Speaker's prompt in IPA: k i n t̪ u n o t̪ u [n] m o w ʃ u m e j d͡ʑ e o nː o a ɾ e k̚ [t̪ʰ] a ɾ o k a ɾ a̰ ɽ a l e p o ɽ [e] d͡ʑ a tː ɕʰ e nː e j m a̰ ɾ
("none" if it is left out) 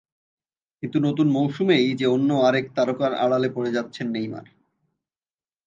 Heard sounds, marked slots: n, t̪, e

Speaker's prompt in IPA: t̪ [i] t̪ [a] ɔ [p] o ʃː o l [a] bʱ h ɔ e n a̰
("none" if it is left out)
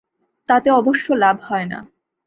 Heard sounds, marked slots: a, e, b, a

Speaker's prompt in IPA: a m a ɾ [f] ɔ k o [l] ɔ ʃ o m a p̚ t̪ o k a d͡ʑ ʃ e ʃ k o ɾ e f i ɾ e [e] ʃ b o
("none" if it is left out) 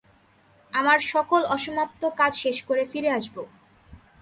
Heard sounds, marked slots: ʃ, l, a

